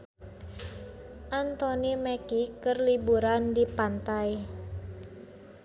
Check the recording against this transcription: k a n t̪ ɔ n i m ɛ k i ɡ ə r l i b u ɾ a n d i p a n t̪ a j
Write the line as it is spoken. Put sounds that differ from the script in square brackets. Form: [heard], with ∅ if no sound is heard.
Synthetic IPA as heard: [ʔ] a n t̪ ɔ n i m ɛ k i [k] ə r l i b u ɾ a n d i p a n t̪ a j